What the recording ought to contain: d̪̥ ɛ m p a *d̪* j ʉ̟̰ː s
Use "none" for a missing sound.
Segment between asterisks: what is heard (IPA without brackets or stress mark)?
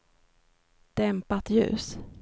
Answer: t̪